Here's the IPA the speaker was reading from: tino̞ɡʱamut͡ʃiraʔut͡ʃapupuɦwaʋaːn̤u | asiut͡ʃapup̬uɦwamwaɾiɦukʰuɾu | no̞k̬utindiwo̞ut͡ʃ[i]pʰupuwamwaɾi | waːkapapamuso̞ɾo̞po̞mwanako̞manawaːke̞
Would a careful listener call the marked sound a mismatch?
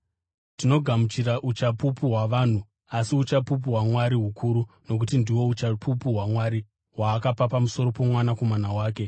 yes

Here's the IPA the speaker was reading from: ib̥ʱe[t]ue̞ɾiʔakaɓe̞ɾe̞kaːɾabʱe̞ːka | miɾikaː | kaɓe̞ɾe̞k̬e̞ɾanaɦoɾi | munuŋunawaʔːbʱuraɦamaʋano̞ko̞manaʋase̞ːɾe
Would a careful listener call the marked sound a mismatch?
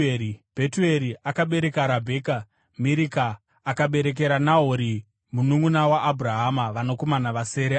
no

